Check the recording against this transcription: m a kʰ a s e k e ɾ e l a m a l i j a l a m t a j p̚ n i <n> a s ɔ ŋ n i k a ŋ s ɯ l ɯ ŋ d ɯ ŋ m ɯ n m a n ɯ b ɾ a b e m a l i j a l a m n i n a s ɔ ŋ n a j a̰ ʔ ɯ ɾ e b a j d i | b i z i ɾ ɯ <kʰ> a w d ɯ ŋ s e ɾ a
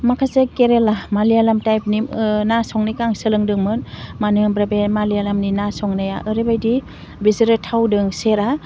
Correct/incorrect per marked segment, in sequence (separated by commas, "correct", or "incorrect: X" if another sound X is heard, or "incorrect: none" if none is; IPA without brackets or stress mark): correct, incorrect: tʰ